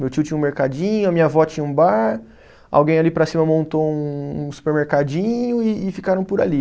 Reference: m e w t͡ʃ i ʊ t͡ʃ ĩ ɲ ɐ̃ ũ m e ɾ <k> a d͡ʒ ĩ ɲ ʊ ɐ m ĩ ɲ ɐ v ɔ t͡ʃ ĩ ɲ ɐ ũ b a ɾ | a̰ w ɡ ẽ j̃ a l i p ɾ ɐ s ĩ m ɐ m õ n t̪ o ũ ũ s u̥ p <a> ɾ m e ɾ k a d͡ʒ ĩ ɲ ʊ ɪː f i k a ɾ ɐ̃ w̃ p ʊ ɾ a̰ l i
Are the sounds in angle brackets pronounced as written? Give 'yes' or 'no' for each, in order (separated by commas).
yes, no